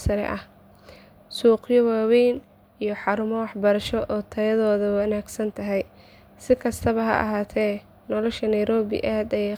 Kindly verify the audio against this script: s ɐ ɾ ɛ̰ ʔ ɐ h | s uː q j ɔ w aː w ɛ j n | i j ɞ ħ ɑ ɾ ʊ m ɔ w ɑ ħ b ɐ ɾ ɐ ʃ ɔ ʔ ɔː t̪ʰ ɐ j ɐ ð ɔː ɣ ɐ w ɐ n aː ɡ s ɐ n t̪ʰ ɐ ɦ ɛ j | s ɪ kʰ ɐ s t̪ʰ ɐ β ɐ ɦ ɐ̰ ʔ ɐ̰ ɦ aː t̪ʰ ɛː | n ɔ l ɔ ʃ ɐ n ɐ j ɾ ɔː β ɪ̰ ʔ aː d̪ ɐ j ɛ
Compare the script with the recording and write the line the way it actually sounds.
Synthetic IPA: s ɐ ɾ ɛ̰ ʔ ɐ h | s uː q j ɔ w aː w ɛ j n | i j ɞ ħ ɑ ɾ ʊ m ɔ w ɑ ħ b ɐ ɾ ɐ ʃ ɔ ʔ ɔː t̪ʰ ɐ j ɐ ð ɔː ð ɐ w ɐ n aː ɡ s ɐ n t̪ʰ ɐ ɦ ɛ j | s ɪ kʰ ɐ s t̪ʰ ɐ β ɐ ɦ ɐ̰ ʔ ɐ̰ ɦ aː t̪ʰ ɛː | n ɔ l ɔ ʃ ɐ n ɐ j ɾ ɔː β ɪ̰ ʔ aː d̪ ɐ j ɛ